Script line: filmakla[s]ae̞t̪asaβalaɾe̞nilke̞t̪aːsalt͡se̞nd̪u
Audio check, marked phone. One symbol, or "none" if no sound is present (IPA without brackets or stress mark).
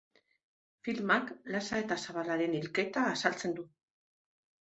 s